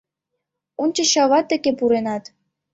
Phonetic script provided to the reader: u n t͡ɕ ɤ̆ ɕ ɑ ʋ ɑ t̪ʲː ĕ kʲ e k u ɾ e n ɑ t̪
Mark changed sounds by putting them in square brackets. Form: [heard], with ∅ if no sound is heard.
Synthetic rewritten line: u n t͡ɕ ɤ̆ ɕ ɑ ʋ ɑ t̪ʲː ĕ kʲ e [p] u ɾ e n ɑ t̪

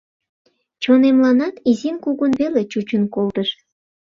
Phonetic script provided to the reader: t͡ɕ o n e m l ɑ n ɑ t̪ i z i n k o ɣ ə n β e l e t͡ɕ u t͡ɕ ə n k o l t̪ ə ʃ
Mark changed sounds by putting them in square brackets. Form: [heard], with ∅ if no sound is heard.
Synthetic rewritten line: t͡ɕ o n e m l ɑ n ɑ t̪ i z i n k [u] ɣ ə n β e l e t͡ɕ u t͡ɕ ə n k o l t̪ ə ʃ

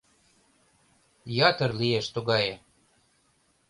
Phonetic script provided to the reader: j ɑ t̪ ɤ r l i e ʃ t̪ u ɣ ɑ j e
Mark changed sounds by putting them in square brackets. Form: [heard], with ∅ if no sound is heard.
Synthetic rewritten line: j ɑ t̪ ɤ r l i e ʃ t̪ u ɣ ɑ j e

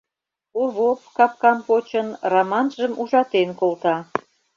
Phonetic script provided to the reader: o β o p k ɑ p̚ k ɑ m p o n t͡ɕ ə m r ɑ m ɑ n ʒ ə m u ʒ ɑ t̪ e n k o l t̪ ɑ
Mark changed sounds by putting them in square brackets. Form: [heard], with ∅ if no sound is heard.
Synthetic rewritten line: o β o p k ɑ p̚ k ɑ m p o [∅] t͡ɕ ə [n] r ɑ m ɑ n ʒ ə m u ʒ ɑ t̪ e n k o l t̪ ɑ

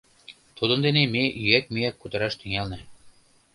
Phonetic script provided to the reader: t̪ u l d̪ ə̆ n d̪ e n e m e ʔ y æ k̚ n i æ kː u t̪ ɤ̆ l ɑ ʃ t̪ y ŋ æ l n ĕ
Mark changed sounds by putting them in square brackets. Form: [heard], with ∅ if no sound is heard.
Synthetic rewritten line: t̪ u [∅] d̪ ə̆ n d̪ e n e m e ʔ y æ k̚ [m] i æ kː u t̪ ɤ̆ [ɾ] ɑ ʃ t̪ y ŋ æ l n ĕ

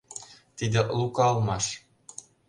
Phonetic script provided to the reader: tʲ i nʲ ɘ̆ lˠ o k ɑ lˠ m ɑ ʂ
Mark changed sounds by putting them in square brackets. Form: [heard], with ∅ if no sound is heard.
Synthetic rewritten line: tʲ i [dʲ] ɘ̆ lˠ [u] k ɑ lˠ m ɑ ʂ

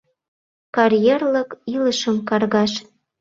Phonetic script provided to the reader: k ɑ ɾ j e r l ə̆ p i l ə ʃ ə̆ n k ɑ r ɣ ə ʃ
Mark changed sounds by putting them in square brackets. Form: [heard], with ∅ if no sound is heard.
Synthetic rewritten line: k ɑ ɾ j e r l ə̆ [k] i l ə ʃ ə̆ [m] k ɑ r ɣ [ɑ] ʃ

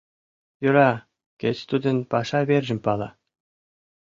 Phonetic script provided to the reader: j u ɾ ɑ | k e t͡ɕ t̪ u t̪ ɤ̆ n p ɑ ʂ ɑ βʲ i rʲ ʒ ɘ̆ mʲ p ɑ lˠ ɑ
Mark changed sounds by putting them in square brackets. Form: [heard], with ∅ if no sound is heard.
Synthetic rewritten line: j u ɾ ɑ | k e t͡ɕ t̪ u [d̪] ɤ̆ n p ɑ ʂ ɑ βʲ [e] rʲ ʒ ɘ̆ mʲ p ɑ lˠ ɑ

